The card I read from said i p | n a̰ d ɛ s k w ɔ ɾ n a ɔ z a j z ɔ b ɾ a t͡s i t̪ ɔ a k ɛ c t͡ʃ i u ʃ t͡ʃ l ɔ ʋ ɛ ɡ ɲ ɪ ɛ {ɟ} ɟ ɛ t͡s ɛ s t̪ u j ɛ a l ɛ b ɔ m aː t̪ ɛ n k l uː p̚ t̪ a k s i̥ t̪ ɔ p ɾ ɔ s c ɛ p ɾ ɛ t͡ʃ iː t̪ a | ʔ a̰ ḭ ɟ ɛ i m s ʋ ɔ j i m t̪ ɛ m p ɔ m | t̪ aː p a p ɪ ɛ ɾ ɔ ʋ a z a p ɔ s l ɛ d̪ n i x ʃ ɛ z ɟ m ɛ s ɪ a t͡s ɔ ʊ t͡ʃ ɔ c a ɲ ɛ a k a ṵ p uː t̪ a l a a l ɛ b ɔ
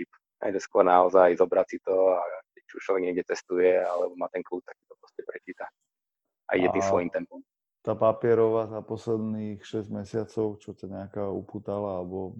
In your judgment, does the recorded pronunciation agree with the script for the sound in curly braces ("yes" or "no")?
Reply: no